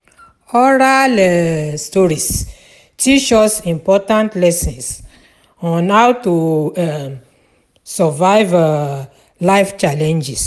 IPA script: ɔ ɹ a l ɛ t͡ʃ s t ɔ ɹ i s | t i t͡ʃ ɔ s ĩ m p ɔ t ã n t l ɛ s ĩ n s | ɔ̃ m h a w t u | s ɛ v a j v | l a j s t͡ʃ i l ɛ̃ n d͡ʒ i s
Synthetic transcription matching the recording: ɔ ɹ a l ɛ s t ɔ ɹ i s | t i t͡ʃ ɔ s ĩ m p ɔ t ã n t l ɛ s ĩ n s | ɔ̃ n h a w t u | s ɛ v a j v | l a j f t͡ʃ a l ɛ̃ n d͡ʒ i s